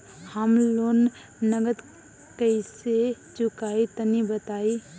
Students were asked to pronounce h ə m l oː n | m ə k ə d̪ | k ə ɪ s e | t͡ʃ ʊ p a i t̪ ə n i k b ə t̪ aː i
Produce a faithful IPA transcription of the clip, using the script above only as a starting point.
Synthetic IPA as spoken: h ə m l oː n | n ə ɡ ə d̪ | k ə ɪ s e | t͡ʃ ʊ k a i t̪ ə n i b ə t̪ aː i